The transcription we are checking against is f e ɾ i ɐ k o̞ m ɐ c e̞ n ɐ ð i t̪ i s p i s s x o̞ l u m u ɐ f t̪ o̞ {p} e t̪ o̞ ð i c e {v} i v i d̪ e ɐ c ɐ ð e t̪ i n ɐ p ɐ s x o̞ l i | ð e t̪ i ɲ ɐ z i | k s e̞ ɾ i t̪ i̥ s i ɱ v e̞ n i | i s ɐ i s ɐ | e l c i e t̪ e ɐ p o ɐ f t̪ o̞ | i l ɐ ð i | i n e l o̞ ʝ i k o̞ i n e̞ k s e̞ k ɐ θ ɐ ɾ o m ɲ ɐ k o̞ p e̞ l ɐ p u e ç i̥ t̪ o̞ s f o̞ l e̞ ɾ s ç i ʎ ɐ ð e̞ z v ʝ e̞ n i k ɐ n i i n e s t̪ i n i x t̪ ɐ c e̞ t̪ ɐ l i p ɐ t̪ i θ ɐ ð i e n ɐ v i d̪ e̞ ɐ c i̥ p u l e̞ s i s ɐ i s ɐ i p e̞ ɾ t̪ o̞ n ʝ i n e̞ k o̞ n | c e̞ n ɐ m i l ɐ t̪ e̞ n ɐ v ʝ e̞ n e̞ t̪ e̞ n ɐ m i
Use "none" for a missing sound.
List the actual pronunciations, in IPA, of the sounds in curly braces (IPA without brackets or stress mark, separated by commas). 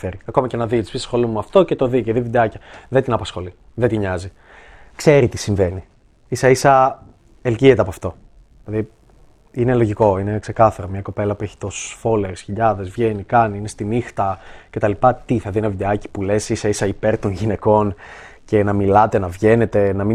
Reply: c, ð